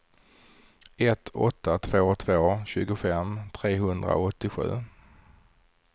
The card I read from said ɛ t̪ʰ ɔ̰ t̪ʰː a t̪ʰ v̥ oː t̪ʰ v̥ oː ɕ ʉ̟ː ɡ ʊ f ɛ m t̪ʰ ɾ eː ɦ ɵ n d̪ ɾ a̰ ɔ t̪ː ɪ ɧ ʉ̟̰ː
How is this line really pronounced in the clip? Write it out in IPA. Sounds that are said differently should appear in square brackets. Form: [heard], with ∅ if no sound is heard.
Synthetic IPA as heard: ɛ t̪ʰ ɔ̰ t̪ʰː a t̪ʰ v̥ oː t̪ʰ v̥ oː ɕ ʉ̟ː ɡ ʊ f ɛ m t̪ʰ ɾ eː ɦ ɵ n d̪ ɾ a̰ ɔ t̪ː ɪ ɧ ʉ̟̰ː